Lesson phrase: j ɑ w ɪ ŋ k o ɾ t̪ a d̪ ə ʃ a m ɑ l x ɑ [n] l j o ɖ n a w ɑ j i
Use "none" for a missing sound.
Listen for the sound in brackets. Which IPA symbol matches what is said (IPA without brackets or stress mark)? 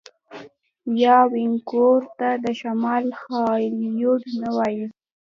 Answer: none